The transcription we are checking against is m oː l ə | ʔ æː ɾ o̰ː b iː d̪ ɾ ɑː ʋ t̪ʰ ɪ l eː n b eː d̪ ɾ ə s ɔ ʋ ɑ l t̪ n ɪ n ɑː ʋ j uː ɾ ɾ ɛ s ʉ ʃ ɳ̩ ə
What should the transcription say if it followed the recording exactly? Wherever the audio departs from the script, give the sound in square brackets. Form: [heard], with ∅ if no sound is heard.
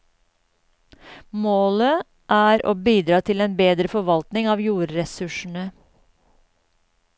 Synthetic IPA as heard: m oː l ə | ʔ æː ɾ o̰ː b iː d̪ ɾ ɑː [∅] t̪ʰ ɪ l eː n b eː d̪ ɾ ə [f] ɔ ʋ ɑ l t̪ n ɪ [ŋ] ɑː ʋ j uː ɾ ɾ ɛ s ʉ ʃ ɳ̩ ə